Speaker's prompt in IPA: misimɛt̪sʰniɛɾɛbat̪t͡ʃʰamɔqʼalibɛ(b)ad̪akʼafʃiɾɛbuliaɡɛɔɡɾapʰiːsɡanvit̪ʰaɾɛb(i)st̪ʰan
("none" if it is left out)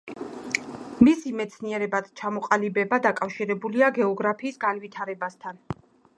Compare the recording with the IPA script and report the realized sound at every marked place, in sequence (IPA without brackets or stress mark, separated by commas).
b, a